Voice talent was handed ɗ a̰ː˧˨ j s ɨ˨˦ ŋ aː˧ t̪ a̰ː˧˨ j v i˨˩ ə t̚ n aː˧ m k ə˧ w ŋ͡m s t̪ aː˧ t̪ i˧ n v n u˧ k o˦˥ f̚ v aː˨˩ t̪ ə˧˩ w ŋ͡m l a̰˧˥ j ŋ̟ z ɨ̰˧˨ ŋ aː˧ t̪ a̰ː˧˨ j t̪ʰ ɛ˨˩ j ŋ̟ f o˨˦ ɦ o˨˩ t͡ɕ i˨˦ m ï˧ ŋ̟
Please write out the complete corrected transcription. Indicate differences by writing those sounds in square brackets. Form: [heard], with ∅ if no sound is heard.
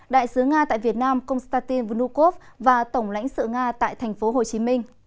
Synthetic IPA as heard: ɗ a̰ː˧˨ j s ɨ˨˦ ŋ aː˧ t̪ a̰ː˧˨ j v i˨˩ ə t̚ n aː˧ m k ə˧ w ŋ͡m s t̪ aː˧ t̪ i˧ n v n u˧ k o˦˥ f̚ v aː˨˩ t̪ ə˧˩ w ŋ͡m l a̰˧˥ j ŋ̟ [s] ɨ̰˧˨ ŋ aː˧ t̪ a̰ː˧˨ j t̪ʰ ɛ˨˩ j ŋ̟ f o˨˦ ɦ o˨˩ t͡ɕ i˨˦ m ï˧ ŋ̟